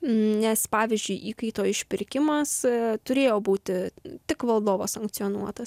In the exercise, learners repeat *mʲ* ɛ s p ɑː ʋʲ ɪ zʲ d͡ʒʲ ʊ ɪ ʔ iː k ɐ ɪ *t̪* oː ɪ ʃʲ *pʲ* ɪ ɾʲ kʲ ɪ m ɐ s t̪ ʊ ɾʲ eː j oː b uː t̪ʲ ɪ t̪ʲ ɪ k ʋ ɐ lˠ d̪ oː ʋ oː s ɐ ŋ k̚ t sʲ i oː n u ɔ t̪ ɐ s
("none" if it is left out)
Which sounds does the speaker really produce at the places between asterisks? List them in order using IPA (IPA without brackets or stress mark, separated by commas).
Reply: nʲ, t̪, pʲ